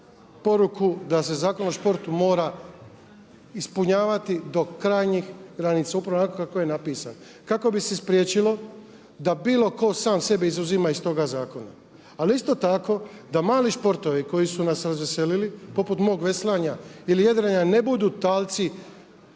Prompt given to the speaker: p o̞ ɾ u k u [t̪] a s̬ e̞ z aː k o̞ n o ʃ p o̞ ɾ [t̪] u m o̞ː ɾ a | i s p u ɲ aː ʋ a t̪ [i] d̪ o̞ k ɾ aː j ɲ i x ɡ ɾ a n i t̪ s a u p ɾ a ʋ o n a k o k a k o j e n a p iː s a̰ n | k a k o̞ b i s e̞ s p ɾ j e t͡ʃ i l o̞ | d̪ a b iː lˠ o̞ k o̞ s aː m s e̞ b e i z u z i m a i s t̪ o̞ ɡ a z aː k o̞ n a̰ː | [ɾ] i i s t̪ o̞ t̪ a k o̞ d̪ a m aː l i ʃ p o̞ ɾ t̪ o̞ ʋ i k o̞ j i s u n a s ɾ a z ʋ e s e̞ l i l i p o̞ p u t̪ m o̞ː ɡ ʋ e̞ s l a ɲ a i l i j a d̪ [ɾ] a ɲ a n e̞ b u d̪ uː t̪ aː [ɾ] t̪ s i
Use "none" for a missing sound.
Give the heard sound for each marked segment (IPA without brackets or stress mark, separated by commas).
d̪, t̪, i, l, ɾ, l